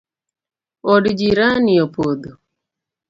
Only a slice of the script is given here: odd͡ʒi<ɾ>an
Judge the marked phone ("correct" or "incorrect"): correct